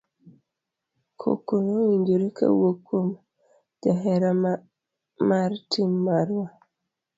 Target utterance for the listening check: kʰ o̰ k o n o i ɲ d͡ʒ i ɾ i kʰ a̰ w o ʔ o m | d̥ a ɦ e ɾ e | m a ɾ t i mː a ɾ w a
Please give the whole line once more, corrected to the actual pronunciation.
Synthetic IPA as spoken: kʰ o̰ k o n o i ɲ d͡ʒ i ɾ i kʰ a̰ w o k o m | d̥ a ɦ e ɾ a | m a ɾ t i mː a ɾ w a